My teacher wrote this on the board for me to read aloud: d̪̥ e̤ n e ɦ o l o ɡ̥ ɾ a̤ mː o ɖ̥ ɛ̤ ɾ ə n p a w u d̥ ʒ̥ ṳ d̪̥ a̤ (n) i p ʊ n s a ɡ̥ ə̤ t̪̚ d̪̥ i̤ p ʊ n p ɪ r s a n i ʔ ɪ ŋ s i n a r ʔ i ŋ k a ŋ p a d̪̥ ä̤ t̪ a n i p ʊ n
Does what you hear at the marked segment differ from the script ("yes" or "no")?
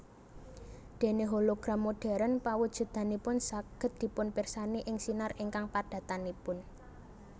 no